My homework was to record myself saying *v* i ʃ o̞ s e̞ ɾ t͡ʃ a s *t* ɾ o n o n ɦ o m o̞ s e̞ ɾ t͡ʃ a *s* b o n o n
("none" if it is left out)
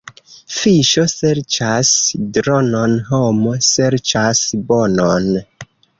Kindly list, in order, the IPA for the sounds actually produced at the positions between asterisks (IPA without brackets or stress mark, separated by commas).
f, d, s